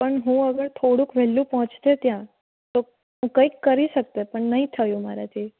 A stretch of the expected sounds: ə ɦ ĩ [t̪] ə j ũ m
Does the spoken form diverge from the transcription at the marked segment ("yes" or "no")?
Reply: yes